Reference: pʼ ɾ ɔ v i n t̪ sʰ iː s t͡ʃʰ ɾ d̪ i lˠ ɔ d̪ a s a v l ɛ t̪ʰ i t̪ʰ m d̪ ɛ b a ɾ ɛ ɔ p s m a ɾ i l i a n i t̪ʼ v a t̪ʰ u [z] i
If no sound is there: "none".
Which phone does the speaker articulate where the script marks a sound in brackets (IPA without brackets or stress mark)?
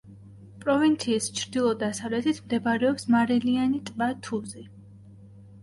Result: z